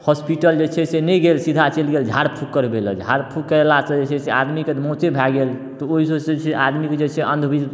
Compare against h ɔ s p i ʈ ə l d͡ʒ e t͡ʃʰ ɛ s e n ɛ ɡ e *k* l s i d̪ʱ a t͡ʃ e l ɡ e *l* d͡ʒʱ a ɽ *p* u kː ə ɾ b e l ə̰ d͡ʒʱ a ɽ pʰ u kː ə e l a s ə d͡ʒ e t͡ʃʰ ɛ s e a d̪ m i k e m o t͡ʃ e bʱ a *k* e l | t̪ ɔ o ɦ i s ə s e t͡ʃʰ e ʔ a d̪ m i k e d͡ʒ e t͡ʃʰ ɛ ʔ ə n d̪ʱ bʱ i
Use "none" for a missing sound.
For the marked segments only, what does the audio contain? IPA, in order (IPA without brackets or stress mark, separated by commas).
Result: none, l, pʰ, ɡ